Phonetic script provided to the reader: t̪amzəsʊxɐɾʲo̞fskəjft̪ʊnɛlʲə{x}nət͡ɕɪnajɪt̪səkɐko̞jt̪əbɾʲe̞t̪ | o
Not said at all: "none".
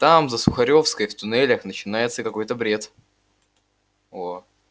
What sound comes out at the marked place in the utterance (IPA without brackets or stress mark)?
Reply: x